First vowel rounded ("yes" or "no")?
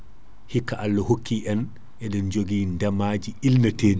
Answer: no